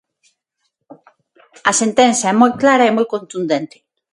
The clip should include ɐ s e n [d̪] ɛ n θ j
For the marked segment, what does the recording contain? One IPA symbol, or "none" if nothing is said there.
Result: t̪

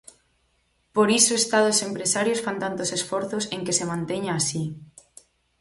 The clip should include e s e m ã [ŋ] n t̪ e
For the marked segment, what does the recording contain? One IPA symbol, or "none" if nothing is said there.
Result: none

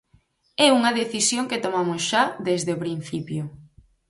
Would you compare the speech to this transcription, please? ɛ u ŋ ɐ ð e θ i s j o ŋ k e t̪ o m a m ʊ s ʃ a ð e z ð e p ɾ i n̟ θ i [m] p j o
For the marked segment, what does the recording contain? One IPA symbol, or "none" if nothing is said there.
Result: none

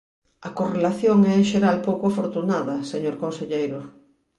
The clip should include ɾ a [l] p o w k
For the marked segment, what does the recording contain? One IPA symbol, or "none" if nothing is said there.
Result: l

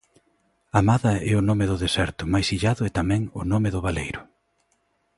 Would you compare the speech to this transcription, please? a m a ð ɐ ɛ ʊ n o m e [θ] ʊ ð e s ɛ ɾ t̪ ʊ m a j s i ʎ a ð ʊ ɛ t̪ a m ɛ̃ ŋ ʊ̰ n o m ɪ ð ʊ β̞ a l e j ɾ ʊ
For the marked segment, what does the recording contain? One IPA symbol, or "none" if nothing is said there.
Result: ð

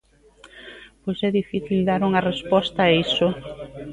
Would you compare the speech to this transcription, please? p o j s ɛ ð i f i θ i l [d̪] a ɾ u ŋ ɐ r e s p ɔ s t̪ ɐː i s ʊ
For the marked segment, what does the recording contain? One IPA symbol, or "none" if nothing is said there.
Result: d̪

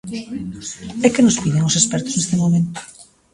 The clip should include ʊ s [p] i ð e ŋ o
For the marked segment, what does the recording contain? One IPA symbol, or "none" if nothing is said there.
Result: p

